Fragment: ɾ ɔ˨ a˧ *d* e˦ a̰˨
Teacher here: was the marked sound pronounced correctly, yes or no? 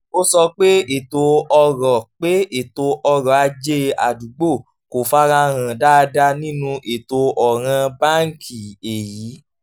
no